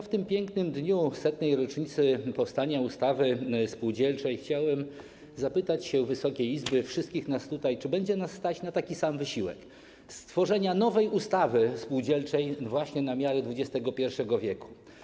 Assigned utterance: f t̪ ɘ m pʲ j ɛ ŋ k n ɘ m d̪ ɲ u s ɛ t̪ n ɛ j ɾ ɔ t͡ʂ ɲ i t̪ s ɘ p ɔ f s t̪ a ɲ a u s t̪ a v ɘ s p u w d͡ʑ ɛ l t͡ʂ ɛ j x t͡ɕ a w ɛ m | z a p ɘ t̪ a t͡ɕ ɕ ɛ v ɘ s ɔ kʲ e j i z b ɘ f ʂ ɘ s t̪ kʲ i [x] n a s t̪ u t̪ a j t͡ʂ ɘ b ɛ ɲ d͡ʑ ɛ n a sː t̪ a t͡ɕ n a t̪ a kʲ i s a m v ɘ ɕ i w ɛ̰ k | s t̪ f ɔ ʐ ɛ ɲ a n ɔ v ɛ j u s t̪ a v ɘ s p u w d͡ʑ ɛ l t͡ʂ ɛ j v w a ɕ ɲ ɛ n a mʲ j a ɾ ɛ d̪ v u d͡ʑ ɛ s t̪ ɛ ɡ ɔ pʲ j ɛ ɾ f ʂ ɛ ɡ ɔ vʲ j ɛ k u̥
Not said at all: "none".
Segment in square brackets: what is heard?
x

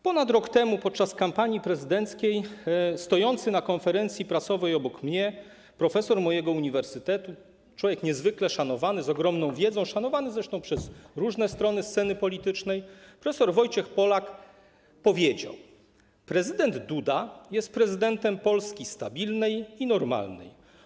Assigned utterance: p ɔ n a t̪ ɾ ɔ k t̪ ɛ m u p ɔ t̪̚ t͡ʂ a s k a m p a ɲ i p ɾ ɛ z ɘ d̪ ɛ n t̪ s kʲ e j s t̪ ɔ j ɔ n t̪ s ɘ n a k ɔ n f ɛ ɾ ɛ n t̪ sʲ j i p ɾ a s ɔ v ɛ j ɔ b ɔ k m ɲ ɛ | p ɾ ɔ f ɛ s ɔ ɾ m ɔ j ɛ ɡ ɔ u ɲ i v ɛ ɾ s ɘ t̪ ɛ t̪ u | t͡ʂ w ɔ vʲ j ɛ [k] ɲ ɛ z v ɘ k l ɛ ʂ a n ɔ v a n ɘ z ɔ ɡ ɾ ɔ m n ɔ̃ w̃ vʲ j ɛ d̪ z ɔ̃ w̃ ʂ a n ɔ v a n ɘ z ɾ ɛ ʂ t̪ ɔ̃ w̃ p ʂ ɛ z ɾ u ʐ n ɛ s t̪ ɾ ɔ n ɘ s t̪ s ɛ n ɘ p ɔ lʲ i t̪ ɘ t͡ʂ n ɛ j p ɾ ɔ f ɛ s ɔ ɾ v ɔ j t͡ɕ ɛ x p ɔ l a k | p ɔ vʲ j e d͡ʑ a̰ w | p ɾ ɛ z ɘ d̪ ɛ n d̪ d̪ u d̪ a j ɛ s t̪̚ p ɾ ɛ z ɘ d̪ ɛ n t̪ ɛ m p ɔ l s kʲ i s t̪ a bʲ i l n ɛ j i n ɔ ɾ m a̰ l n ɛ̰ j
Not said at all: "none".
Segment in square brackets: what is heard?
k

